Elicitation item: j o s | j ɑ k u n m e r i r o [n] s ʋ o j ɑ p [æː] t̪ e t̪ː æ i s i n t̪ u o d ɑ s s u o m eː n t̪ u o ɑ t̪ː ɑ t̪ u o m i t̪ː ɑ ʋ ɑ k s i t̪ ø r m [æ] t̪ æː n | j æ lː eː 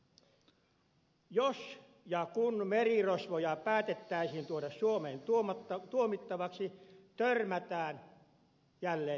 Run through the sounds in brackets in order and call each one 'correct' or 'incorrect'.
incorrect: none, correct, correct

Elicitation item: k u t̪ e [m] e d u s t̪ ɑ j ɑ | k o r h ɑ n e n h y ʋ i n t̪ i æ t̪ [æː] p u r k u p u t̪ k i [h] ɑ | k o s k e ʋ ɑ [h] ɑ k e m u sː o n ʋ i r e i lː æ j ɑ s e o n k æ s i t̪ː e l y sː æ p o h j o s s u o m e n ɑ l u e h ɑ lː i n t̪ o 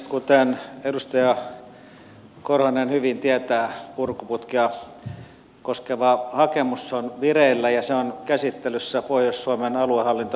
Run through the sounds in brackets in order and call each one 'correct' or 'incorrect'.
incorrect: n, correct, incorrect: none, correct

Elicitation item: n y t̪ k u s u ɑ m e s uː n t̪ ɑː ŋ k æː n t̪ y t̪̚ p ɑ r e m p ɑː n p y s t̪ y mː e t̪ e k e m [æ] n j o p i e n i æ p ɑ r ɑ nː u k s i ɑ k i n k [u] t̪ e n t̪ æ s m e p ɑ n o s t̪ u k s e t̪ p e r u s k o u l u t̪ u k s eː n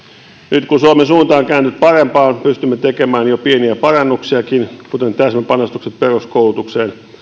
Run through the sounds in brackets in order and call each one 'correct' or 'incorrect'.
incorrect: æː, correct

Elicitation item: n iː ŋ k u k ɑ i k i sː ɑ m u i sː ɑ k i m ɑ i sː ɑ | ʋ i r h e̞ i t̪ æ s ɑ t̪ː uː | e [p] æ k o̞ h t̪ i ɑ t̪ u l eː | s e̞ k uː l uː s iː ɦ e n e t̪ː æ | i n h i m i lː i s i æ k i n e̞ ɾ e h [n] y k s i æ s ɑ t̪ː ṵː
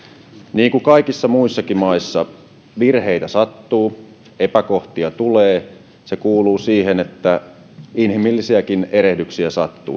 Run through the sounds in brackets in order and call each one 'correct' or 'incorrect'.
correct, incorrect: d

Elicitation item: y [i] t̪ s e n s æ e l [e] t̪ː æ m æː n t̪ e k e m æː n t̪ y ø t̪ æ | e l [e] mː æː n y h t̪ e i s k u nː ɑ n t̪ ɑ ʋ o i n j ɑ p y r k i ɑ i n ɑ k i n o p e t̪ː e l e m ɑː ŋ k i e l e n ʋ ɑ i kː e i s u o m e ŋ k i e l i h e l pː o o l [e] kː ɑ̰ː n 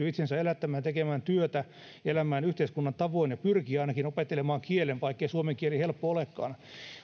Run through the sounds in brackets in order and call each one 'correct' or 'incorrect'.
correct, incorrect: æ, incorrect: æ, correct

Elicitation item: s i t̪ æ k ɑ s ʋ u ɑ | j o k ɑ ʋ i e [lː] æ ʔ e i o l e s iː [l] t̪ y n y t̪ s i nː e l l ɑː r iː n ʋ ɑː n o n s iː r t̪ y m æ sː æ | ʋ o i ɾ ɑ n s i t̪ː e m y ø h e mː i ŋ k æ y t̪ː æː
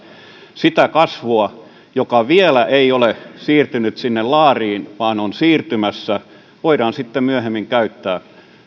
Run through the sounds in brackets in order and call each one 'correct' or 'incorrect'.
incorrect: l, incorrect: r

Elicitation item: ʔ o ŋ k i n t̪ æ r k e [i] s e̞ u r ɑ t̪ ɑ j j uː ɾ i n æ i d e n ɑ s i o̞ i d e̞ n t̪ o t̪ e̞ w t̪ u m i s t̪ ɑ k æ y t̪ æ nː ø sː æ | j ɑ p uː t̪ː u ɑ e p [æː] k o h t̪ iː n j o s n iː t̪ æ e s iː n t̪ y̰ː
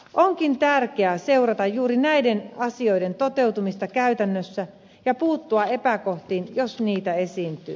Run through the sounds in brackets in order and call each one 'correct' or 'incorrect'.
incorrect: æ, incorrect: æ

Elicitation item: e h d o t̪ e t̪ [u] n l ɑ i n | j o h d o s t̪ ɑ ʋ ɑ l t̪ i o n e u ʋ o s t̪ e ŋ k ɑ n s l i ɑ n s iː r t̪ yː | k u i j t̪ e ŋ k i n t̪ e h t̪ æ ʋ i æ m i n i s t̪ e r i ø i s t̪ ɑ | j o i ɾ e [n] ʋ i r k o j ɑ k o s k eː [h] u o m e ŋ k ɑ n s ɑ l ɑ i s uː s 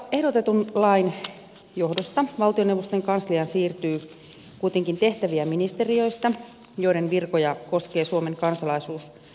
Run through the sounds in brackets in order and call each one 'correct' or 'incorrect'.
correct, correct, incorrect: s

